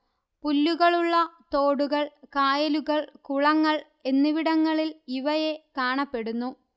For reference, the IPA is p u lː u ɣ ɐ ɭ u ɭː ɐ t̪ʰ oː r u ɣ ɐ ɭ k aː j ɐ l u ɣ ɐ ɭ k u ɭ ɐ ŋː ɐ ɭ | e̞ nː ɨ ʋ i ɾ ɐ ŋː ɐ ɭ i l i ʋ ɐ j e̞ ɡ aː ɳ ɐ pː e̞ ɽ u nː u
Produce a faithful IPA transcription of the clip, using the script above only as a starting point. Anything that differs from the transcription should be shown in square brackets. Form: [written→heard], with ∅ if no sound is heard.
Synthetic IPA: p u lː u ɣ ɐ ɭ u ɭː ɐ [t̪ʰ→t̪] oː [r→ɽ] u ɣ ɐ ɭ k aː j ɐ l u ɣ ɐ ɭ k u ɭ ɐ ŋː ɐ ɭ | e̞ nː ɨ ʋ i [ɾ→ɽ] ɐ ŋː ɐ ɭ i l i ʋ ɐ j e̞ [ɡ→k] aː ɳ ɐ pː e̞ ɽ u nː u